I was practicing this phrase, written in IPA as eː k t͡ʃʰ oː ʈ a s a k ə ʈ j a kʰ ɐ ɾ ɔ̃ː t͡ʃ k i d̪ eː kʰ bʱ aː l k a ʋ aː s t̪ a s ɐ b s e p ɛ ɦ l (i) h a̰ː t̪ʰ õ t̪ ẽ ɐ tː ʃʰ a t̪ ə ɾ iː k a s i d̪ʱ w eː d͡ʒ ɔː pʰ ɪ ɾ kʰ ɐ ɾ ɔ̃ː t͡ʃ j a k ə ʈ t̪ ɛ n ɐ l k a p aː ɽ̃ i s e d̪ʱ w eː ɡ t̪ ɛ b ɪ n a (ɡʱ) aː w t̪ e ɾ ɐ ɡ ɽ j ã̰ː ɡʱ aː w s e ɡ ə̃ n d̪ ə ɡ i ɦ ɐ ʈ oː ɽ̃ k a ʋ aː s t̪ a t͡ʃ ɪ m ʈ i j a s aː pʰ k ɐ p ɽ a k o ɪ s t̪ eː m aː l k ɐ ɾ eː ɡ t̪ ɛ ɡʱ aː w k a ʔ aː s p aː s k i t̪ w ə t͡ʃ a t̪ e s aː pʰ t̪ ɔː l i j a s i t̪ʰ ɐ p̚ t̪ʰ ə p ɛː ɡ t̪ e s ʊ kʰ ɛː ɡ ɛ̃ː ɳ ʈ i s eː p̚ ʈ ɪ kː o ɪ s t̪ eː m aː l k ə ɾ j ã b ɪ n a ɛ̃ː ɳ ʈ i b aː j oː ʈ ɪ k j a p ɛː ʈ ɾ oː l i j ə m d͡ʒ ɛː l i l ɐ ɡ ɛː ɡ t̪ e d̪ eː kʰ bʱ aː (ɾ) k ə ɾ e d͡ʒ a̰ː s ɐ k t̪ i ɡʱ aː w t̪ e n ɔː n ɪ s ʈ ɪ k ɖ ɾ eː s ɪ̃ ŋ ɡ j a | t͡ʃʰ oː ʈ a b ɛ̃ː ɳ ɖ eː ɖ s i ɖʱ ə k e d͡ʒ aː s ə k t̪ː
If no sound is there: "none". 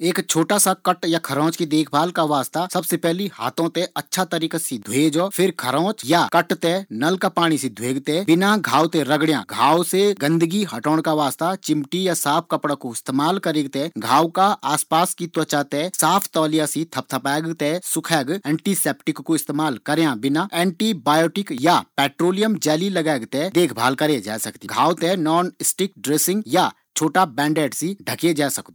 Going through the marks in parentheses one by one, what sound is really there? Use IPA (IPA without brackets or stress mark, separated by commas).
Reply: i, ɡʱ, l